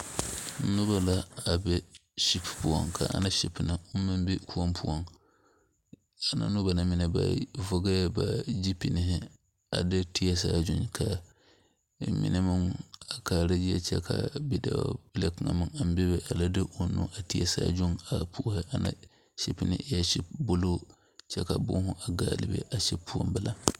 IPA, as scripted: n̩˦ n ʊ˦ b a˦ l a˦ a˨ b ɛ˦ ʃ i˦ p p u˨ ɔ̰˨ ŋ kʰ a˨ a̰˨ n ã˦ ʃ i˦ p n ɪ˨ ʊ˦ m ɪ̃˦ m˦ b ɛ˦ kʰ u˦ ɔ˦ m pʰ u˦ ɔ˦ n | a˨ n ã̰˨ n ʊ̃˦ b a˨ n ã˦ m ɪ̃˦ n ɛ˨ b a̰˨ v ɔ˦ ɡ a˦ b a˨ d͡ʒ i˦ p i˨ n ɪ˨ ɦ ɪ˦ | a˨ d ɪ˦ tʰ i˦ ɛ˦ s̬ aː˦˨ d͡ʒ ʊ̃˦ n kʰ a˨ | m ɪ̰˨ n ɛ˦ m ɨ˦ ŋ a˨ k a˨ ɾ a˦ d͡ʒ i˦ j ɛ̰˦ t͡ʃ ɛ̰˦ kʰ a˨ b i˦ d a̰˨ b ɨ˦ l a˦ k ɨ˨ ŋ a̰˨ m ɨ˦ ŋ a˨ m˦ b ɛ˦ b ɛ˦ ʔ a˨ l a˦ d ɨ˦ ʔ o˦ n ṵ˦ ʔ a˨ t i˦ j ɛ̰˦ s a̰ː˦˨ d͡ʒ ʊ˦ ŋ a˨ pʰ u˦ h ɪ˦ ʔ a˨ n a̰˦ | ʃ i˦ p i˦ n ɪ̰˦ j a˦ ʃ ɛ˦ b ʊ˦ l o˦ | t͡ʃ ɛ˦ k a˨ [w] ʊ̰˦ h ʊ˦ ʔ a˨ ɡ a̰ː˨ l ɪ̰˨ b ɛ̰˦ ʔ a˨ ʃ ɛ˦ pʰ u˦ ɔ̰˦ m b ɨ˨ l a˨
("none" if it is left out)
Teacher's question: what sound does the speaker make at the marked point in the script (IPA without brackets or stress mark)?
b